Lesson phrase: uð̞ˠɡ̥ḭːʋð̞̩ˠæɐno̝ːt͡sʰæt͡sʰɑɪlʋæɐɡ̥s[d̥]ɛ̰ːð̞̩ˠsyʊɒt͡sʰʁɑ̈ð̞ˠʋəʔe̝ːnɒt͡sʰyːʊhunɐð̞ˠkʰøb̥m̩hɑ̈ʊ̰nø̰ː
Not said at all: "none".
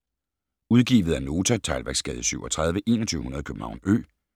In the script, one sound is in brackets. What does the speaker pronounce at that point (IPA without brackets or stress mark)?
ɡ̥